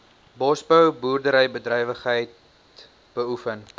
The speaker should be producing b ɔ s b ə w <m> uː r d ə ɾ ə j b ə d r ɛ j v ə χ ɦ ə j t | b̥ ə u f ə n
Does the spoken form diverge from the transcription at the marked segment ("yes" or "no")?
yes